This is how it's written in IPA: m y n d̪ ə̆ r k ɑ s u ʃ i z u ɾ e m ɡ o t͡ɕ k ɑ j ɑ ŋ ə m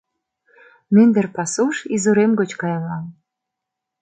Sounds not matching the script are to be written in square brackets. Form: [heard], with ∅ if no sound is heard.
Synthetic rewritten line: m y n d̪ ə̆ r [p] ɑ s u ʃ i z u ɾ e m ɡ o t͡ɕ k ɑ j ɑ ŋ [ɑ] m